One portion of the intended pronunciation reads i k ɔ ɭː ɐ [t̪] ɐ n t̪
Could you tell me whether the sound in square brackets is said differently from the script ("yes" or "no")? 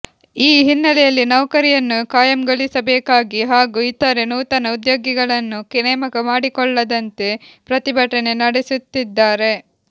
yes